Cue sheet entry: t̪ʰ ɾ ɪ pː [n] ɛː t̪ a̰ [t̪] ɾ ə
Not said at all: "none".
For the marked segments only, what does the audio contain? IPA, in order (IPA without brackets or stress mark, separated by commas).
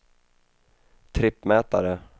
m, none